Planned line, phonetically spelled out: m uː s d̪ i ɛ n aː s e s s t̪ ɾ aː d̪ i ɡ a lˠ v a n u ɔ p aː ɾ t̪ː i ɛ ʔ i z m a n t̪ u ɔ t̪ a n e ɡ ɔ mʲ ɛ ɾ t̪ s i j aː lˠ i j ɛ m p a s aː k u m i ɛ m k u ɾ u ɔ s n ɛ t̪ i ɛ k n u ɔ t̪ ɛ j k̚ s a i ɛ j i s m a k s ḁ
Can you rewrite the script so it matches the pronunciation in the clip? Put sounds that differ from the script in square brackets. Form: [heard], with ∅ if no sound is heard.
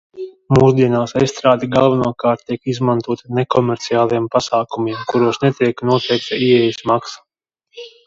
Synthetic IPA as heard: m uː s d̪ i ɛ n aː s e s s t̪ ɾ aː d̪ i ɡ a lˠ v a n u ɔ [k] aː ɾ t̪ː i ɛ [k] i z m a n t̪ u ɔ t̪ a n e [k] ɔ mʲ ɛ ɾ t̪ s i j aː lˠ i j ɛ m p a s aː k u m i ɛ m k u ɾ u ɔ s n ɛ t̪ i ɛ k n u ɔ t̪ ɛ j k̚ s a i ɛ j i s m a k s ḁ